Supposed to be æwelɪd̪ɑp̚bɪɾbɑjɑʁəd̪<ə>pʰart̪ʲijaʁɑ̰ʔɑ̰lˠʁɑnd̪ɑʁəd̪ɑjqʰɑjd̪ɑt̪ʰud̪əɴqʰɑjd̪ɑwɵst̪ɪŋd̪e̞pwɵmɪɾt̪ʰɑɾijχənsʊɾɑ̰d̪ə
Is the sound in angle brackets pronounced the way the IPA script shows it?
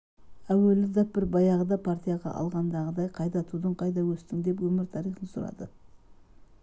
no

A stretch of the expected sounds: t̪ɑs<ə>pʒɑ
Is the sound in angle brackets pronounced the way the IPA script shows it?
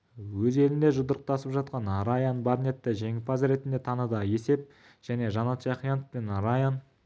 yes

